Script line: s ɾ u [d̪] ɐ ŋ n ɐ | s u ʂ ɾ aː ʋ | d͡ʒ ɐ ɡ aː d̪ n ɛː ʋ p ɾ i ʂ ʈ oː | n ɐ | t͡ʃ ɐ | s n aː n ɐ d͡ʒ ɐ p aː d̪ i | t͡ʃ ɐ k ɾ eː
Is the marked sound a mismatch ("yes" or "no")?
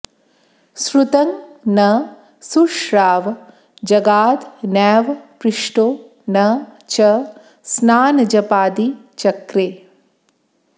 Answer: yes